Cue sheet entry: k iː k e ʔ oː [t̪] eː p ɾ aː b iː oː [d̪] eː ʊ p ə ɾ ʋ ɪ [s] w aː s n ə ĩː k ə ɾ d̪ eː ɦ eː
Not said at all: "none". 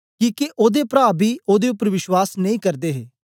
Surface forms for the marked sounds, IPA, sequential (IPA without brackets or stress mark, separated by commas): d̪, d̪, ʃ